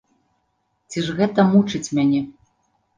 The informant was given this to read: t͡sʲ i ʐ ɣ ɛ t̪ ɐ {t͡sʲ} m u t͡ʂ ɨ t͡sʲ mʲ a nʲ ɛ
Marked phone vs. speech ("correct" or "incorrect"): incorrect